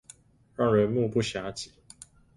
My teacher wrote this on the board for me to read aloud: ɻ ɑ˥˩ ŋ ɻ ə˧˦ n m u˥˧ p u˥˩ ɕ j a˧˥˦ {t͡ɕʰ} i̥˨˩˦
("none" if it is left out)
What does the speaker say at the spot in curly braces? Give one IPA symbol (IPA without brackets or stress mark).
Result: t͡ɕ